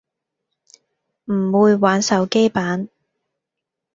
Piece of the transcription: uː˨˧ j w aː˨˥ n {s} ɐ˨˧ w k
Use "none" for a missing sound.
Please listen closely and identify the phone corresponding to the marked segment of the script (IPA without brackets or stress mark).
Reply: s